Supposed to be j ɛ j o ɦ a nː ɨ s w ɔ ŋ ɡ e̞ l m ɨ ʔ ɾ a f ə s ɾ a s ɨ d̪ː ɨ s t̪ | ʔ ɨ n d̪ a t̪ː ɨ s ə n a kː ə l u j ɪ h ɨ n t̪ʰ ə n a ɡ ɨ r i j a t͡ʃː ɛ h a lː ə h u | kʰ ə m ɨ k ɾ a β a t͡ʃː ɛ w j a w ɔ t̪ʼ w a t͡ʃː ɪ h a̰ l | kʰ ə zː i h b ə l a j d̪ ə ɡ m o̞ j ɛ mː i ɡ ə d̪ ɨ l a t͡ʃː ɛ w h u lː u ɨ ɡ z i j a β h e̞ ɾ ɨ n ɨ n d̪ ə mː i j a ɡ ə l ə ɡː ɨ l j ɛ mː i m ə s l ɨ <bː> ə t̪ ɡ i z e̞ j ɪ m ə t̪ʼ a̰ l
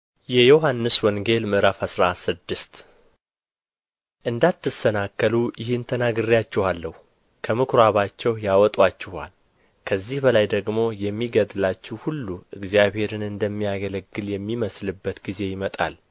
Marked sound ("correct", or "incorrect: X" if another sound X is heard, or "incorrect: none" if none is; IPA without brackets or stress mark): correct